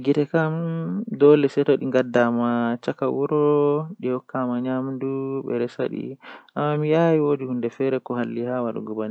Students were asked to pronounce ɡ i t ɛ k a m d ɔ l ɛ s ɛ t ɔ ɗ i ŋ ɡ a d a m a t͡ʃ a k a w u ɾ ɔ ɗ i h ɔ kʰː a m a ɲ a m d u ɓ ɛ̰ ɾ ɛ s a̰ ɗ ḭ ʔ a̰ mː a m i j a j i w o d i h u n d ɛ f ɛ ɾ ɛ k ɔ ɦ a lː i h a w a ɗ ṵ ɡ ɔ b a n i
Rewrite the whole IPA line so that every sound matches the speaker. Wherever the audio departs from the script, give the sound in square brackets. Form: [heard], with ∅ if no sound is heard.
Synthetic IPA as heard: ɡ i t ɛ k a m d ɔ l ɛ s ɛ t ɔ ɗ i ŋ ɡ a d a m a t͡ʃ a k a w u ɾ ɔ ɗ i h ɔ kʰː a m a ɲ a m d u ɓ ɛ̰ ɾ ɛ s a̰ ɗ ḭ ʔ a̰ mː a m i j a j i w o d i h u n d ɛ f ɛ ɾ ɛ k ɔ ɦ a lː i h a w a ɗ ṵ ɡ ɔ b a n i